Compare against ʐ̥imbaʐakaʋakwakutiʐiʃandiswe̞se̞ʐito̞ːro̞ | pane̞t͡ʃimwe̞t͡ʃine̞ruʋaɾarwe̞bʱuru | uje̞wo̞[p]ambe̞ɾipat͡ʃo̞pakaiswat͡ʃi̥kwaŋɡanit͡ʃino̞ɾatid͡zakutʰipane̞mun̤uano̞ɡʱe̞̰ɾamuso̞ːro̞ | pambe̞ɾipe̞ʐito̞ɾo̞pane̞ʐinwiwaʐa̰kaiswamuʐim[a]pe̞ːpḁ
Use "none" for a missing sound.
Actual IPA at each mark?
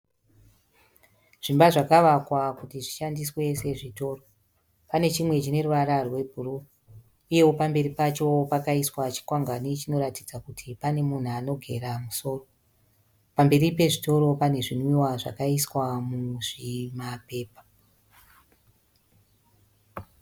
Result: p, a

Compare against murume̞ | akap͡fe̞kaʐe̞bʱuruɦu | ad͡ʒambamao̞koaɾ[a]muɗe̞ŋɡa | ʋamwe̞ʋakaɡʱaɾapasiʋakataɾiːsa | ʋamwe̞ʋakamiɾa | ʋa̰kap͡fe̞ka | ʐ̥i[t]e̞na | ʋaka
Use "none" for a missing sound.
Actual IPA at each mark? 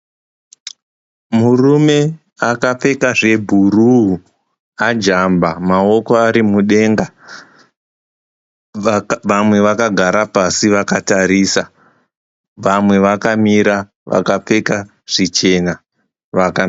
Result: i, t͡ʃ

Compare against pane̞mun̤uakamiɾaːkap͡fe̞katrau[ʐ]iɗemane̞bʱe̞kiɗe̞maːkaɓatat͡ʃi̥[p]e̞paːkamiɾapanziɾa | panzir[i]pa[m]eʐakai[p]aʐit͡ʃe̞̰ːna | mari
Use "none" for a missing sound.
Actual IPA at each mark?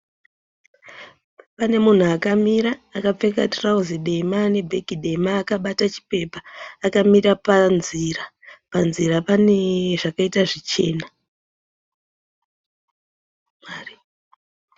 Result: z, p, a, n, t

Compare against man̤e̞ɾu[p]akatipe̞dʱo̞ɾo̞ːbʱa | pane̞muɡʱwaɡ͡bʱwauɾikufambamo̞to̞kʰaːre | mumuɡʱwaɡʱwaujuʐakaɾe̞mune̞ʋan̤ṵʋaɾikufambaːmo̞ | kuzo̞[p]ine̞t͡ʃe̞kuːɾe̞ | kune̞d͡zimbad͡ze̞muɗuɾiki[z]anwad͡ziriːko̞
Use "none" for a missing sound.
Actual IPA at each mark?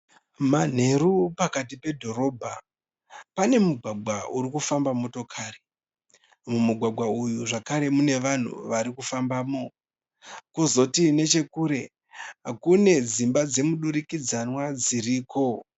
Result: p, t, d͡z

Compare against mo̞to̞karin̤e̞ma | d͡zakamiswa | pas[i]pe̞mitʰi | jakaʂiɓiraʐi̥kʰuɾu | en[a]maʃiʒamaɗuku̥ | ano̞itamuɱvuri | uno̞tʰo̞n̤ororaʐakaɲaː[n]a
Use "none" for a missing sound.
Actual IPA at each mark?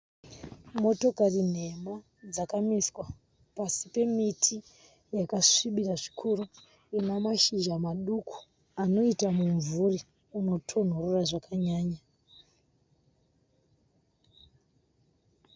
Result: i, a, ɲ

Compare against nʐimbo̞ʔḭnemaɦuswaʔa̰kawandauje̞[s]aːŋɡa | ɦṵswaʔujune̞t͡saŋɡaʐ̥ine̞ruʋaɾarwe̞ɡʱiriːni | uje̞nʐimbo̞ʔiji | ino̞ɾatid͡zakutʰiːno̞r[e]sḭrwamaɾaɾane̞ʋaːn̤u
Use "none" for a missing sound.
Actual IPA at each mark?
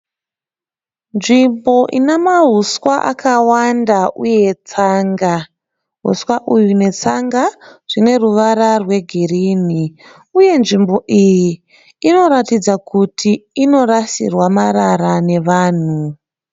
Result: t͡s, a

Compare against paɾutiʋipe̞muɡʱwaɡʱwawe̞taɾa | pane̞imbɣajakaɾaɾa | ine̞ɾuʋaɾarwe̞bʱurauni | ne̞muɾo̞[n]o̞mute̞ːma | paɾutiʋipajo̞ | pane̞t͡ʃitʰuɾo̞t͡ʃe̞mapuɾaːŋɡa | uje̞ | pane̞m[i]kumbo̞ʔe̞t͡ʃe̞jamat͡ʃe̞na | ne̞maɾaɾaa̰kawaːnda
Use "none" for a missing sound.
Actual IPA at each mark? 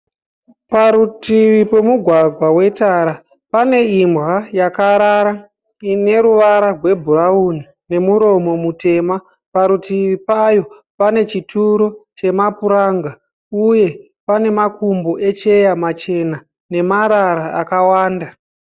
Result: m, a

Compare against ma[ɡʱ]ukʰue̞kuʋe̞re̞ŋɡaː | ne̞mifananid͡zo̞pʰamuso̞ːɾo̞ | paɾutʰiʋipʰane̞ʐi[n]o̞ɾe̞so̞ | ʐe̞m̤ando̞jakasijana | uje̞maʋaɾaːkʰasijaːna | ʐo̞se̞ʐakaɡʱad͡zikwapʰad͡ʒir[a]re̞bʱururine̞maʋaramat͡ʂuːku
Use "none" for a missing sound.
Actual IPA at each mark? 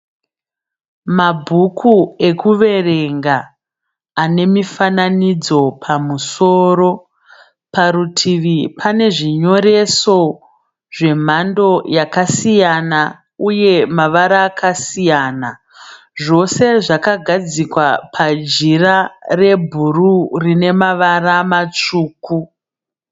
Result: bʱ, ɲ, a

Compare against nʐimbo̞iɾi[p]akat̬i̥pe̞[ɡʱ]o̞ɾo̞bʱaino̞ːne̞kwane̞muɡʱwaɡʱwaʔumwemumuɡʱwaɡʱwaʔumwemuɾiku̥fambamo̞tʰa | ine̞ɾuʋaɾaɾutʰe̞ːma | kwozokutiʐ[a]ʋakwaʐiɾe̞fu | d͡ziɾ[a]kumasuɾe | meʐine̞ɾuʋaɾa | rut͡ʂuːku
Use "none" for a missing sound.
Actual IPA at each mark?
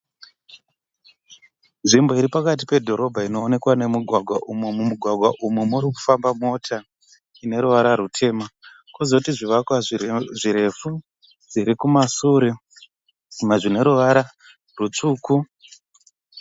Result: p, dʱ, i, i

